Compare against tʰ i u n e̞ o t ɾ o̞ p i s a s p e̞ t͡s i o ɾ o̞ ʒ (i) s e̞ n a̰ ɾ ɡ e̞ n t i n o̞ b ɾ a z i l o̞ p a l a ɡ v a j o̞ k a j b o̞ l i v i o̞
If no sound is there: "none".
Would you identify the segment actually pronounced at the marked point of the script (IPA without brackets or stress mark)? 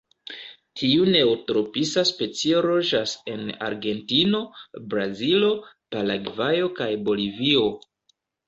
a